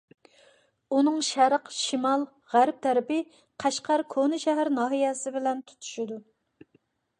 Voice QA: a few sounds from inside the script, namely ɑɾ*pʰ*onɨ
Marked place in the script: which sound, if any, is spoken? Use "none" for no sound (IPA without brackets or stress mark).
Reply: kʰ